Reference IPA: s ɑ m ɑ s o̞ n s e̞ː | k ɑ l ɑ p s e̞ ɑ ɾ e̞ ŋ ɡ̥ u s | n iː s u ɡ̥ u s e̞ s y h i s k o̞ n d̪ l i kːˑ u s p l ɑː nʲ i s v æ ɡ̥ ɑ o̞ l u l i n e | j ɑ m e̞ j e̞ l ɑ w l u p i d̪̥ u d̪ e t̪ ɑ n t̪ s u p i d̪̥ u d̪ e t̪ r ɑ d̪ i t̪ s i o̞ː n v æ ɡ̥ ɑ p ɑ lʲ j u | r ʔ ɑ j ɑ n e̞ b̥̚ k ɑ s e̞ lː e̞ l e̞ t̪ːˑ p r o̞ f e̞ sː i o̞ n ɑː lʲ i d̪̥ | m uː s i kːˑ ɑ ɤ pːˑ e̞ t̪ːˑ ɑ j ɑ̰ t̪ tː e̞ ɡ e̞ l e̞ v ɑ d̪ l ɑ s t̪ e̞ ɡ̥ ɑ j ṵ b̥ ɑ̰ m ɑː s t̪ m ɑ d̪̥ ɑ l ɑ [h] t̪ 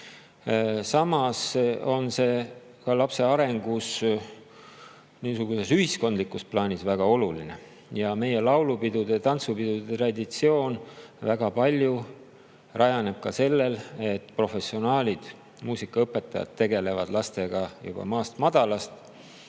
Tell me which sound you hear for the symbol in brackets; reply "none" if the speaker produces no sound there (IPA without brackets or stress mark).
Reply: s